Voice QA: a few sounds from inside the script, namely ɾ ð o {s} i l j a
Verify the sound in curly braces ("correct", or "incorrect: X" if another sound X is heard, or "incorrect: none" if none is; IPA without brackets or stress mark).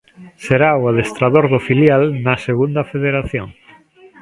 incorrect: f